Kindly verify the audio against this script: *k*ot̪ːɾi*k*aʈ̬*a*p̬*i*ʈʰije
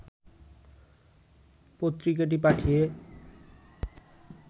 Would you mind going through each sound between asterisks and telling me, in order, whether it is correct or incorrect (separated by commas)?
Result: incorrect, correct, incorrect, incorrect